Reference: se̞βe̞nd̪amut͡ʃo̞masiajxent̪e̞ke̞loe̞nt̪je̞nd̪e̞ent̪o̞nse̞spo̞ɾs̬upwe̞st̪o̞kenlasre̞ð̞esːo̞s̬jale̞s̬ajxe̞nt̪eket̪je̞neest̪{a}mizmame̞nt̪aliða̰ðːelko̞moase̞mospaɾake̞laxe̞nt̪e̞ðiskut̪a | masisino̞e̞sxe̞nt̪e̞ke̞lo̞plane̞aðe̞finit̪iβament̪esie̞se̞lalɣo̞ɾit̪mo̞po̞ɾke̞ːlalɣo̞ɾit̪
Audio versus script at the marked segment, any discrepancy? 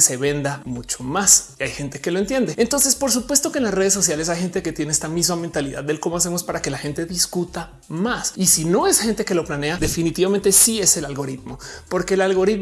no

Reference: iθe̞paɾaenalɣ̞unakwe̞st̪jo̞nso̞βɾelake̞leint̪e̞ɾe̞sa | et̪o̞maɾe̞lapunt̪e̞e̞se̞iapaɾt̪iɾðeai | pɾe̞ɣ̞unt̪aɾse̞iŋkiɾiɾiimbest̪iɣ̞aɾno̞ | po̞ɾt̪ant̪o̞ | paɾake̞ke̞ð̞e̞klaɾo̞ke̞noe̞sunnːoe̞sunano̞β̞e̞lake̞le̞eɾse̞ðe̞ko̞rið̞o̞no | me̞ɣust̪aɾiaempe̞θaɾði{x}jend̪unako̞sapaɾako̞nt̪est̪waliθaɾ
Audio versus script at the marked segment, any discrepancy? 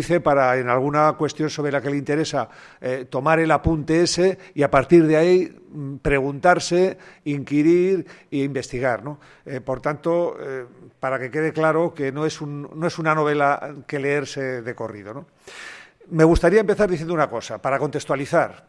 yes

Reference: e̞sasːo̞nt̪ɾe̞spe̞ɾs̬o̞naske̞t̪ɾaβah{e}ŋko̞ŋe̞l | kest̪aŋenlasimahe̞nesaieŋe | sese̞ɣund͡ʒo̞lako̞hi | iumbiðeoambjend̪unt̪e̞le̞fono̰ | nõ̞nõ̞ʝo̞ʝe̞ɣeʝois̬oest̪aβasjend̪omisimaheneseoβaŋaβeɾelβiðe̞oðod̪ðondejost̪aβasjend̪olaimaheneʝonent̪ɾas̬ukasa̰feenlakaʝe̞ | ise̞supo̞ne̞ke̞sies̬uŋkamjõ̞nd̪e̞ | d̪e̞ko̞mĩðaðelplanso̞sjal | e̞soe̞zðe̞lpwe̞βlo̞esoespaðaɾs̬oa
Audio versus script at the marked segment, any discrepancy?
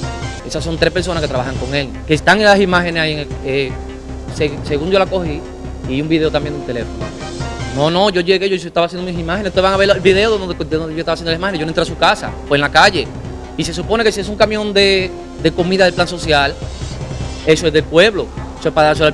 yes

